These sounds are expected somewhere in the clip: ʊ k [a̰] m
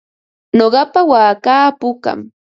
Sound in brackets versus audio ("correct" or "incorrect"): correct